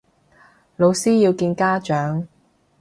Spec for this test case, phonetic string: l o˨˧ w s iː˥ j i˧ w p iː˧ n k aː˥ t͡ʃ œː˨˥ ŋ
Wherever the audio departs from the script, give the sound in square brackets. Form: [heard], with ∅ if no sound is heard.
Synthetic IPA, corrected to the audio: l o˨˧ w s iː˥ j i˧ w [k] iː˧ n k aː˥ t͡ʃ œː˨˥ ŋ